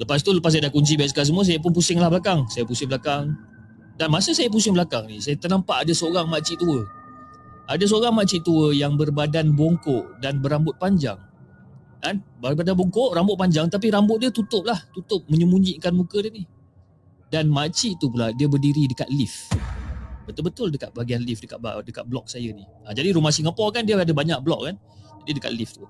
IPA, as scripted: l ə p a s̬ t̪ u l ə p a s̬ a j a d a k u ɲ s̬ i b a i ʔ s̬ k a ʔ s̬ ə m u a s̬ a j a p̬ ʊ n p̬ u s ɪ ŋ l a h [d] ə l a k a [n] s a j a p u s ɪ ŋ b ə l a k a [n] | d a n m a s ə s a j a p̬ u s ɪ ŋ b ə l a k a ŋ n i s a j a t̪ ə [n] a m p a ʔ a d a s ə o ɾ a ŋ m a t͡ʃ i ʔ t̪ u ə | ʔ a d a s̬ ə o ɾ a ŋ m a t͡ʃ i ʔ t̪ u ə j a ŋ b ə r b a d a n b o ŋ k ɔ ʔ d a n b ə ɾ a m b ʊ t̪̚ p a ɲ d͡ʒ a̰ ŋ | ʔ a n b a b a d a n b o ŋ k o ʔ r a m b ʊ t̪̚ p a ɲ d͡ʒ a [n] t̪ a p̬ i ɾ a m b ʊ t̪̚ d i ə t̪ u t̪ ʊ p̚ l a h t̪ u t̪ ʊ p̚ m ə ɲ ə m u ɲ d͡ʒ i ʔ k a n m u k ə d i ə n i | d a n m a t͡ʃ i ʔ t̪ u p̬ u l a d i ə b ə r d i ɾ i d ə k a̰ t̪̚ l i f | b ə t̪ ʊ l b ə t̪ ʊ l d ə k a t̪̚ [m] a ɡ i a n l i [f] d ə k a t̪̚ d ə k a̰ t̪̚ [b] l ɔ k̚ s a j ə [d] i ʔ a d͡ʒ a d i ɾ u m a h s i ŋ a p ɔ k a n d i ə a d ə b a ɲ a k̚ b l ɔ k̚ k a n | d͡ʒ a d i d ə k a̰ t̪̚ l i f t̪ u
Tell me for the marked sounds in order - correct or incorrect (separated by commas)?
incorrect, incorrect, incorrect, correct, incorrect, incorrect, correct, correct, incorrect